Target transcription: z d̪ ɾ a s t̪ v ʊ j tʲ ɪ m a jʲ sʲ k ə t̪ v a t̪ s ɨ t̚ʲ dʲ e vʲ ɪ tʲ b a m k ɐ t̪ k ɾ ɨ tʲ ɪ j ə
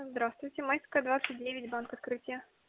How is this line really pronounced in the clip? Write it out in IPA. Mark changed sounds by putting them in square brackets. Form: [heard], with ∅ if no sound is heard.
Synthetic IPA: z d̪ ɾ a s t̪ v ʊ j tʲ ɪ m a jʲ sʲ k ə [d̪] v a t̪ s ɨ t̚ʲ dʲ e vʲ ɪ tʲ b a [n] k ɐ t̪ k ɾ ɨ tʲ ɪ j ə